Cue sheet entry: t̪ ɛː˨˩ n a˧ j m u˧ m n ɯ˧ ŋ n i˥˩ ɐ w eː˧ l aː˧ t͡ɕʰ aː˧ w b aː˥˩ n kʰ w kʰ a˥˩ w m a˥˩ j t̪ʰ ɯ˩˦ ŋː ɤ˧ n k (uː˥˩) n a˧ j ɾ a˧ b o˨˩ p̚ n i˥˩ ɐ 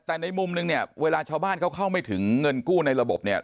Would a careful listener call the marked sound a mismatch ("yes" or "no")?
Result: no